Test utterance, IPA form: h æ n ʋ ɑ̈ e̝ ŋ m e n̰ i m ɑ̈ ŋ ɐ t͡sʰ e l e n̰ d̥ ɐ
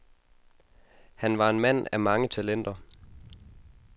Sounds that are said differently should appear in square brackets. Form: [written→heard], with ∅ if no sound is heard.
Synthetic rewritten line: h æ n ʋ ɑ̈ e̝ [ŋ→n] m [e→æ] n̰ [i→æ] m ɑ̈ ŋ [ɐ→ə] t͡sʰ [e→æ] l e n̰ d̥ ɐ